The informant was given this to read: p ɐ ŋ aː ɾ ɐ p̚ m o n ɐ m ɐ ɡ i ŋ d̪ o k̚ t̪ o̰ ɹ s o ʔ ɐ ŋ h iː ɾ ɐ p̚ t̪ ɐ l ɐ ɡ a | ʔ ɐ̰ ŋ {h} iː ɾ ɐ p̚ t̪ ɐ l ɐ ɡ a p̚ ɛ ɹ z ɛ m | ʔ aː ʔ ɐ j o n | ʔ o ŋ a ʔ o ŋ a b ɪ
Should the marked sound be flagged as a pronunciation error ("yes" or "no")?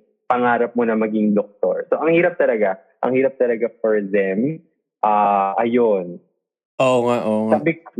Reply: no